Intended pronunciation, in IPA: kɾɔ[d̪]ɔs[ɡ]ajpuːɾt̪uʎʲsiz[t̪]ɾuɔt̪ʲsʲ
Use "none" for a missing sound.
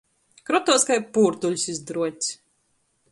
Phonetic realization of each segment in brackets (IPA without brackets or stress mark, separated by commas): t̪, k, d̪